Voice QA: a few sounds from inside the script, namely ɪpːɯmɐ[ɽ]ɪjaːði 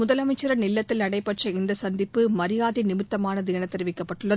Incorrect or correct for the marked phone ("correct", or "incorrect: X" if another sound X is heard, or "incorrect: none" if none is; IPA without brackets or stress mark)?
incorrect: ɾ